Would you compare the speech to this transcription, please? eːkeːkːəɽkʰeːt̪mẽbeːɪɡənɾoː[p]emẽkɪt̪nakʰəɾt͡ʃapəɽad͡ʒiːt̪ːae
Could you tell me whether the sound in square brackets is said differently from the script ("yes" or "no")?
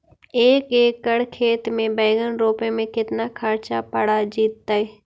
no